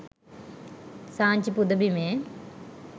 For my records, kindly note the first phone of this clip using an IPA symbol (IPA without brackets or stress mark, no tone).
s